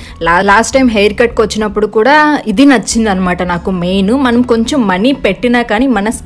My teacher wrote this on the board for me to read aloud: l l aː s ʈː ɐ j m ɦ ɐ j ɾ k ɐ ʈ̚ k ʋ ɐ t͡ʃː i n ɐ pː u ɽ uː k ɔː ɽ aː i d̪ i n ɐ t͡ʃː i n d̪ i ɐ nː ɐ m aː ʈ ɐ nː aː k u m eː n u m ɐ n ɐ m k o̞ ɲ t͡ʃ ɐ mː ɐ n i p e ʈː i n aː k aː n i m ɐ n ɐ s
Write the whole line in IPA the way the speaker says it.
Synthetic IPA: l l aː s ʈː ɐ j m ɦ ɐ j ɾ k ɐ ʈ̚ k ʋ ɐ t͡ʃː i n ɐ pː u ɽ u k uː ɽ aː i d̪ i n ɐ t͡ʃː i n d̪ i ɐ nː ɐ m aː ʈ ɐ n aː k u m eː n u m ɐ n ɐ m k o̞ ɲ t͡ʃ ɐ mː ɐ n i p e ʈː i n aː k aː n i m ɐ n ɐ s